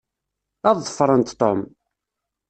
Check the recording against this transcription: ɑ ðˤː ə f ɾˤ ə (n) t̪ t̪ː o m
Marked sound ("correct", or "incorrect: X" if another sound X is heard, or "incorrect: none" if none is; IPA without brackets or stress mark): correct